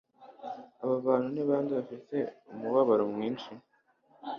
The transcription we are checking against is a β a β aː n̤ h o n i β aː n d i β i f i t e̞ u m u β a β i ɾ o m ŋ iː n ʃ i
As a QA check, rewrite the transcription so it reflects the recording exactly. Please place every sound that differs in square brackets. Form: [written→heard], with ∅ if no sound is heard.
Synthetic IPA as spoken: a β a β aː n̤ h [o→u] n i β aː n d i β [i→a] f i t e̞ u m u β a β [i→a] ɾ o m ŋ iː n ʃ i